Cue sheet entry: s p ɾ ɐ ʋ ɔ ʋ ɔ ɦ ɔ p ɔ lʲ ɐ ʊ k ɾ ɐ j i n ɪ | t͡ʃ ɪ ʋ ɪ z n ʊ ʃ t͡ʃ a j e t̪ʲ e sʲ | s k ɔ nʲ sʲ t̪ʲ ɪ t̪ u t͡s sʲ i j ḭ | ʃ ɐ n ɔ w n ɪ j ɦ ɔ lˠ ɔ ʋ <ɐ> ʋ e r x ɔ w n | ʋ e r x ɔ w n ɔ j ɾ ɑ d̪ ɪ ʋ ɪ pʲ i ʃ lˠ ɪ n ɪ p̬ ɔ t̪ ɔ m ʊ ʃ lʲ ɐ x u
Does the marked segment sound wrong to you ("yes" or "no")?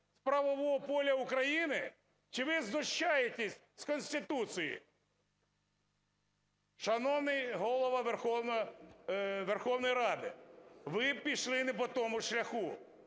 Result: no